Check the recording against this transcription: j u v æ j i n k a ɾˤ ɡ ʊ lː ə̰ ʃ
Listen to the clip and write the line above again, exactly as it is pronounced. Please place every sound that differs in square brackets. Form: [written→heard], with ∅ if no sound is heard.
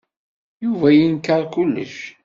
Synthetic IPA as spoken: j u v æ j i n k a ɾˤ [ɡ→k] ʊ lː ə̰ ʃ